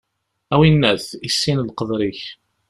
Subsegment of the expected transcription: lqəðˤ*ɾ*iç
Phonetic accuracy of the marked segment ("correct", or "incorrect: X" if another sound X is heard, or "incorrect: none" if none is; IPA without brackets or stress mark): correct